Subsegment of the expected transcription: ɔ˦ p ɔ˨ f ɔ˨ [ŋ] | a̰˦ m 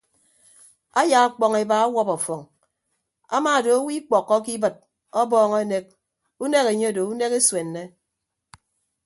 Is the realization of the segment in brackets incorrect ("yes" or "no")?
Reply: no